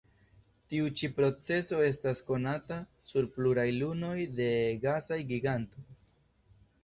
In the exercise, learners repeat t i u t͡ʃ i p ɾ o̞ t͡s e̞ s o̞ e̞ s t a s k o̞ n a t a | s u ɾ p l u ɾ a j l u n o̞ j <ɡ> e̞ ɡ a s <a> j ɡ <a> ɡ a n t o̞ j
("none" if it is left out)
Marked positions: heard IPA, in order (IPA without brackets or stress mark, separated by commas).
d, a, i